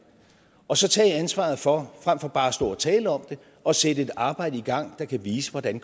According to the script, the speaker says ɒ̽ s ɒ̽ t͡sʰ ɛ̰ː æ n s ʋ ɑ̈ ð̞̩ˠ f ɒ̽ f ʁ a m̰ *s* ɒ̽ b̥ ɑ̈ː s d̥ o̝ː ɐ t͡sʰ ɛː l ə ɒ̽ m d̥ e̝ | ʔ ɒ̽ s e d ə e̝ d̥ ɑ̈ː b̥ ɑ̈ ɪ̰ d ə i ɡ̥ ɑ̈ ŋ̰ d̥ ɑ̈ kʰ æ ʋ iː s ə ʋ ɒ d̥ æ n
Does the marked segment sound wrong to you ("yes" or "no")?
yes